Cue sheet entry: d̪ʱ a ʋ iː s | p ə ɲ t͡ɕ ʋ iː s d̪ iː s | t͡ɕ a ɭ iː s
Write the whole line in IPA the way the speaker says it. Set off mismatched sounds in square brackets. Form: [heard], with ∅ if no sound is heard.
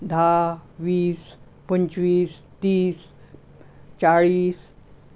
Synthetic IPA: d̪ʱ a ʋ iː s | p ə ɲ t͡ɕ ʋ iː s [t̪] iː s | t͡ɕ a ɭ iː s